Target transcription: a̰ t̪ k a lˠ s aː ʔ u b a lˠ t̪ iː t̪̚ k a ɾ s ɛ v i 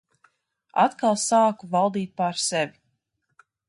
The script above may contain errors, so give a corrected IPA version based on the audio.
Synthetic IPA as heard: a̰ t̪ k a lˠ s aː k u v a lˠ d̪ iː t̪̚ p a ɾ s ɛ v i